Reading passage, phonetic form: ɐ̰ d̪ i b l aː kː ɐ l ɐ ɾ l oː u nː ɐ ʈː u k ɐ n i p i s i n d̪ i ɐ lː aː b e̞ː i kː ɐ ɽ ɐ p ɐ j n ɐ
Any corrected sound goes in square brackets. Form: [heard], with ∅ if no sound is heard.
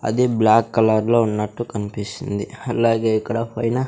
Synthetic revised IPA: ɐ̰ d̪ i b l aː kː ɐ l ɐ ɾ l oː u nː ɐ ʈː u k ɐ n i p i s i n d̪ i ɐ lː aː [ɡ] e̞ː i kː ɐ ɽ ɐ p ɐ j n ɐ